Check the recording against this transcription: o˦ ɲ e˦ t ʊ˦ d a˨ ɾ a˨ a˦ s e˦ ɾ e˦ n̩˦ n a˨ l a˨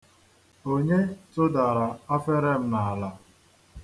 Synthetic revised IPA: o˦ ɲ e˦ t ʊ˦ d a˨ ɾ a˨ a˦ f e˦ ɾ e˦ m̩˦ n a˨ l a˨